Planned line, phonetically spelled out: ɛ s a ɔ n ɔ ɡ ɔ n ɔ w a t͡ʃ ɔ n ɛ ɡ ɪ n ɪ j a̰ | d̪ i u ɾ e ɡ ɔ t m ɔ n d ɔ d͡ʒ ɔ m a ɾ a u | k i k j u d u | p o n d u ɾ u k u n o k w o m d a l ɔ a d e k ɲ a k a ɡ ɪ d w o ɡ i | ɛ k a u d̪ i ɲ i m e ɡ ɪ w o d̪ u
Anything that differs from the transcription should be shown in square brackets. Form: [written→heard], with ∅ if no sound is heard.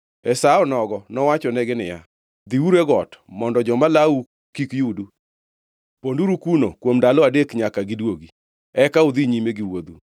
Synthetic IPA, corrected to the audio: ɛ s a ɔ n ɔ ɡ ɔ n ɔ w a t͡ʃ ɔ n ɛ ɡ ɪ n ɪ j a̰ | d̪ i u ɾ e ɡ ɔ t m ɔ n d ɔ d͡ʒ ɔ m a [ɾ→l] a u | k i k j u d u | p o n d u ɾ u k u n o k w o m d a l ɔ a d e k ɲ a k a ɡ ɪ d w o ɡ i | ɛ k a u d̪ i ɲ i m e ɡ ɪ w o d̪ u